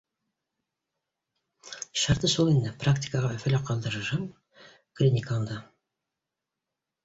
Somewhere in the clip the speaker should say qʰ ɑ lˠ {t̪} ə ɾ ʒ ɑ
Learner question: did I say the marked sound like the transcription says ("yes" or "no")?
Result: no